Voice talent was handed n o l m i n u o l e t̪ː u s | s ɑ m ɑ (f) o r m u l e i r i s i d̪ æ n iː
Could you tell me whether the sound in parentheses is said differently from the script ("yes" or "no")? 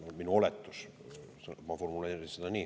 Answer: no